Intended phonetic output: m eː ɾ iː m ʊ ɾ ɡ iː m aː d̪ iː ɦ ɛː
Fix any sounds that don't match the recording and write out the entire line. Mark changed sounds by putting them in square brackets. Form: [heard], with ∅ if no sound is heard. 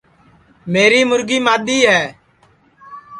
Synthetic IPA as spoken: m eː ɾ iː m ʊ ɾ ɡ iː m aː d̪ iː ɦ ɛː